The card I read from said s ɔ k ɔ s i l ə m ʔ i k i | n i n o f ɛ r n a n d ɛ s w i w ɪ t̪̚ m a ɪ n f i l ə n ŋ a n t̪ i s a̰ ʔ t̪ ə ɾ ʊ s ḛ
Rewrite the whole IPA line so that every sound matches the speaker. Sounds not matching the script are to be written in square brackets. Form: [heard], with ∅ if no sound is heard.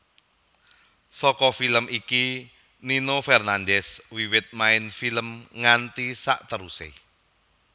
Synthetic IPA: s ɔ k ɔ [f] i l ə m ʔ i k i | n i n o f ɛ r n a n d ɛ s w i w ɪ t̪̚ m a ɪ n f i l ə [m] ŋ a n t̪ i s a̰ ʔ t̪ ə ɾ [u] s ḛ

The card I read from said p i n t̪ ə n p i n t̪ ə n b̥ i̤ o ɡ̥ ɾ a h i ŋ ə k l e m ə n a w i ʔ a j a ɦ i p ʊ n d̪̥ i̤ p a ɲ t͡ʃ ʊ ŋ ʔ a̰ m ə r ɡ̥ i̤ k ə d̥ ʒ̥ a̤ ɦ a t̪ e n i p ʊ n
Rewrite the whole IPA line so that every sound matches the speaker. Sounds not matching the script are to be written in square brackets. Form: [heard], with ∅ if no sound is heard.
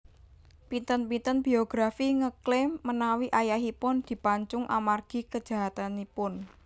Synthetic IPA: p i n t̪ ə n p i n t̪ ə n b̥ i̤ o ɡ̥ ɾ a [f] i ŋ ə k l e m ə n a w i ʔ a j a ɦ i p ʊ n d̪̥ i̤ p a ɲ t͡ʃ ʊ ŋ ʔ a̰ m [a] r ɡ̥ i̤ k ə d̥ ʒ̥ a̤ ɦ a t̪ [a] n i p ʊ n

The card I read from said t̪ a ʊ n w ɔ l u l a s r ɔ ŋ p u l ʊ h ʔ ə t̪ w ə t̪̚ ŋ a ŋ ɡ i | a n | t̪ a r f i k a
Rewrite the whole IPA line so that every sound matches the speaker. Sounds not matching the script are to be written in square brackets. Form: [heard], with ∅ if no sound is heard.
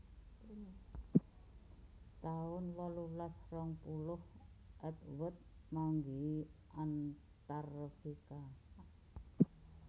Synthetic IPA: t̪ a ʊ n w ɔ l u l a s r ɔ ŋ p u l ʊ h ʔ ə t̪ w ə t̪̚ [m] a ŋ ɡ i | a n | t̪ a r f i k a

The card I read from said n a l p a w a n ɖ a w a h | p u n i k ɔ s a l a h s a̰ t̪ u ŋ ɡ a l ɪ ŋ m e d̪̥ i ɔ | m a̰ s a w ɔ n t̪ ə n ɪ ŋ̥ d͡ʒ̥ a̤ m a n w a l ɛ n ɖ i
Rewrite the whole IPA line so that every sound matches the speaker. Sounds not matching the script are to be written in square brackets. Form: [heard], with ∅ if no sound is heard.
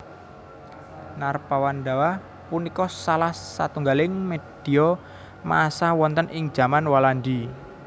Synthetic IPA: n a [r] p a w a n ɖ a w a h | p u n i k ɔ s a l a h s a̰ t̪ u ŋ ɡ a l ɪ ŋ m e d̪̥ i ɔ | m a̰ s a w ɔ n t̪ ə n ɪ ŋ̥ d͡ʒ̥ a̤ m a n w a l [a] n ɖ i

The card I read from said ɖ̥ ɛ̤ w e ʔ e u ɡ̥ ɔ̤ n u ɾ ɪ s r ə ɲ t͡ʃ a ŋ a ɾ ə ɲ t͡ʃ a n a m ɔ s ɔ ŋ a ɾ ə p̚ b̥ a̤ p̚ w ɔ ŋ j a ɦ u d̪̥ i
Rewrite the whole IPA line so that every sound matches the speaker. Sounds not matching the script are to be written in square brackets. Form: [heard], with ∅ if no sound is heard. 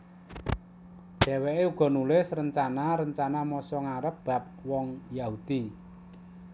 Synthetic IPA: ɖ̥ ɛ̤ w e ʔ e u ɡ̥ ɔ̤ n u [l] ɪ s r ə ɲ t͡ʃ a [n] a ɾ ə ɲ t͡ʃ a n a m ɔ s ɔ ŋ a ɾ ə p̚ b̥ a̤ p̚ w ɔ ŋ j a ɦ u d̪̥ i

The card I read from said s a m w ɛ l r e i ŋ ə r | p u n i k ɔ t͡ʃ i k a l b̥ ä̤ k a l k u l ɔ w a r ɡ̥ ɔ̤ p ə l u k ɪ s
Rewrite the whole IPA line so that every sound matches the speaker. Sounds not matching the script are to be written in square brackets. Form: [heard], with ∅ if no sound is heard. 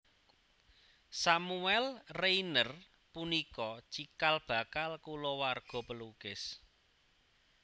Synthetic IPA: s a m [u] ɛ l r e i [n] ə r | p u n i k ɔ t͡ʃ i k a l b̥ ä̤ k a l k u l ɔ w a r ɡ̥ ɔ̤ p ə l u k ɪ s

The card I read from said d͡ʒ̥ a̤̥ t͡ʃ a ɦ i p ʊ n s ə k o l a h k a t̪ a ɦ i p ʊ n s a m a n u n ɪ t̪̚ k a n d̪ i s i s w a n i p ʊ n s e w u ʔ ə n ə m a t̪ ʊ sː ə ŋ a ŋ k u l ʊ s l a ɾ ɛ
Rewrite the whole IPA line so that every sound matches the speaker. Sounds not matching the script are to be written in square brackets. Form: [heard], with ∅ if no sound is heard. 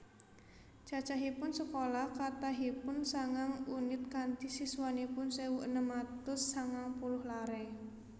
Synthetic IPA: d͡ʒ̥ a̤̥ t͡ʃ a ɦ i p ʊ n s ə k o l a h k a t̪ a ɦ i p ʊ n s a [ŋ] a [ŋ] u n ɪ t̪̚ k a n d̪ i s i s w a n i p ʊ n s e w u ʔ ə n ə m a t̪ ʊ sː [a] ŋ a ŋ [p] u l ʊ [h] l a ɾ ɛ

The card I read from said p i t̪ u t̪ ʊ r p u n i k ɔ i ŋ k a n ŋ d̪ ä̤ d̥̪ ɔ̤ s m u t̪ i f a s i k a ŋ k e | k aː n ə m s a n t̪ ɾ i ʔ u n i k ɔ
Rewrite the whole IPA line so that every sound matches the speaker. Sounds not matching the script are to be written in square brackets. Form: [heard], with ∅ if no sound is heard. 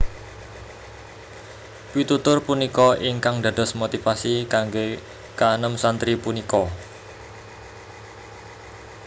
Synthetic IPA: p i t̪ u t̪ ʊ r p u n i k ɔ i ŋ k a [∅] ŋ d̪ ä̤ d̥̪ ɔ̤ s m [o] t̪ i f a s i k a ŋ [ɡ] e | k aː n ə m s a n t̪ ɾ i [p] u n i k ɔ

